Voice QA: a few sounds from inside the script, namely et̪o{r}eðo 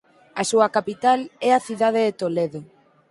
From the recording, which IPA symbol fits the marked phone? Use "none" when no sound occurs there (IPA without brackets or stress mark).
l